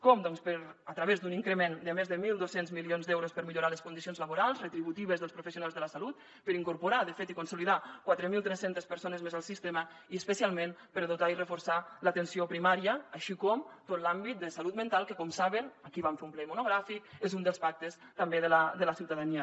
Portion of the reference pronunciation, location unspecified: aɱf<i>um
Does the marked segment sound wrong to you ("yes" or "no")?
yes